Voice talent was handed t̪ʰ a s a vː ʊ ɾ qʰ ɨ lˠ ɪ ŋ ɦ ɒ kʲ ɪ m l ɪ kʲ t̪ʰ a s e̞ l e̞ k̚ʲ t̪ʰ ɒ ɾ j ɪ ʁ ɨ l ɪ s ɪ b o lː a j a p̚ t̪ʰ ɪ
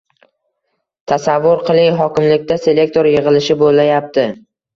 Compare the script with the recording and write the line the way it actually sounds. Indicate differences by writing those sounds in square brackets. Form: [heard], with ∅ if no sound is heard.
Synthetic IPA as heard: t̪ʰ a s a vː ʊ ɾ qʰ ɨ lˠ ɪ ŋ ɦ ɒ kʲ ɪ m l ɪ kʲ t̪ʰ a s e̞ l e̞ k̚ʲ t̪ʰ [o] ɾ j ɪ ʁ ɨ l ɪ [ʃ] ɪ b o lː a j a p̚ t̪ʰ ɪ